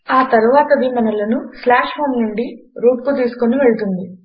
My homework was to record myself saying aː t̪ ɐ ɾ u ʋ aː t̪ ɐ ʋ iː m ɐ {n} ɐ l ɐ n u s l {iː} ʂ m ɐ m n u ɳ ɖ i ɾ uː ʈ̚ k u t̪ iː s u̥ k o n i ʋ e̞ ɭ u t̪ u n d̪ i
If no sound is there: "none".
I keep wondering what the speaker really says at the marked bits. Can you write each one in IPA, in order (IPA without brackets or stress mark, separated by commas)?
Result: n, aː